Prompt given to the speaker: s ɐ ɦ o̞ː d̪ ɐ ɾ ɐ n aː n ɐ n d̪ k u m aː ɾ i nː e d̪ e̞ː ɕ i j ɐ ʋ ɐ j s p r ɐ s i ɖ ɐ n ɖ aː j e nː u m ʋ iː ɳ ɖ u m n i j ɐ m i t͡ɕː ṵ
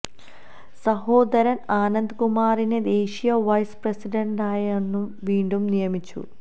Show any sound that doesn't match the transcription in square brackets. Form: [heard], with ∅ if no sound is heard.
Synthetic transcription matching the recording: s ɐ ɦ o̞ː d̪ ɐ ɾ ɐ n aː n ɐ n d̪ k u m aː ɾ i [n] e d̪ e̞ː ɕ i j ɐ ʋ ɐ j s p r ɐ s i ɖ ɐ [ɳ] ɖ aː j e nː u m ʋ iː ɳ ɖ u m n i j ɐ m i t͡ɕː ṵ